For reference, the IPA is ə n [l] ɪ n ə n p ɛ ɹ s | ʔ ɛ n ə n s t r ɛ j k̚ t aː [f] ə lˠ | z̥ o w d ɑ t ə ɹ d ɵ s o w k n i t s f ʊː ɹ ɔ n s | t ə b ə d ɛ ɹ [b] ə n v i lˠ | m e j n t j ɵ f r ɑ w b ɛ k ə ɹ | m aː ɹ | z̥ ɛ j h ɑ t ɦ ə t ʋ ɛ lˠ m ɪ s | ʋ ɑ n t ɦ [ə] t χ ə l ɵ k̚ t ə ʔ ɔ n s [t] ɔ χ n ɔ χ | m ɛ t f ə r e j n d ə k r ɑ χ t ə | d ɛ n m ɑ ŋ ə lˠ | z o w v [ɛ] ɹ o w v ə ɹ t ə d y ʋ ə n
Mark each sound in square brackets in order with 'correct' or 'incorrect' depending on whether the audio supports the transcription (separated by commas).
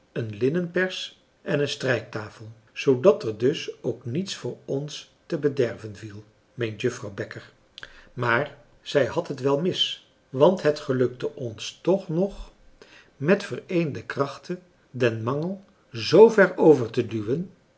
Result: correct, correct, incorrect, correct, correct, correct